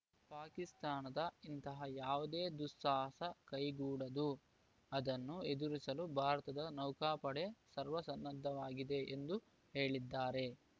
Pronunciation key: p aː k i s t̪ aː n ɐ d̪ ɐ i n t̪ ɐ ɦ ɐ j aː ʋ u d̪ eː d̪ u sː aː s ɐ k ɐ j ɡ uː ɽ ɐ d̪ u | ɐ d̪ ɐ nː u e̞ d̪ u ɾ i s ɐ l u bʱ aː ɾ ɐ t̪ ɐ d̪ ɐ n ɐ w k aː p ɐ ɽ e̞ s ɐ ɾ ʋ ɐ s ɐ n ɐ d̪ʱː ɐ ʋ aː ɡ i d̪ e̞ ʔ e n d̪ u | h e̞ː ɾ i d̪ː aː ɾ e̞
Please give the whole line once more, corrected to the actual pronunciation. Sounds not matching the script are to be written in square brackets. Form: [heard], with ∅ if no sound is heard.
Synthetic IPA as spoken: p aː k i s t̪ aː n ɐ d̪ ɐ i n t̪ ɐ ɦ ɐ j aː ʋ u d̪ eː d̪ u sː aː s ɐ k ɐ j ɡ uː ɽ ɐ d̪ u | ɐ d̪ ɐ nː u e̞ d̪ u ɾ i s ɐ l u bʱ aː ɾ ɐ t̪ ɐ d̪ ɐ n ɐ w k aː p ɐ ɽ e̞ s ɐ ɾ ʋ ɐ s ɐ [nː] ɐ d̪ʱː ɐ ʋ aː ɡ i d̪ e̞ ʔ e n d̪ u | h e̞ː [ɭ] i d̪ː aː ɾ e̞